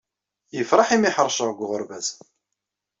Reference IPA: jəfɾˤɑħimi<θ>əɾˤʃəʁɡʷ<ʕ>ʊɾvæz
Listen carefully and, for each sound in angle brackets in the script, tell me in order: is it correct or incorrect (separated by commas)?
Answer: incorrect, incorrect